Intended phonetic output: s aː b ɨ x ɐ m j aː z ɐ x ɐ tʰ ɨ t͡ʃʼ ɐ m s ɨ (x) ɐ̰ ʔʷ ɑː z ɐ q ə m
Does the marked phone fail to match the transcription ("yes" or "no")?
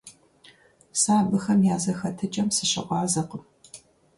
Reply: yes